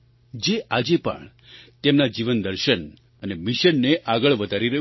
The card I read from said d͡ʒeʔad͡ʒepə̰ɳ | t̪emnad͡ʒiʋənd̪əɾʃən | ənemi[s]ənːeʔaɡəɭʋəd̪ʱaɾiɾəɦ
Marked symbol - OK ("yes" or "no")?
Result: no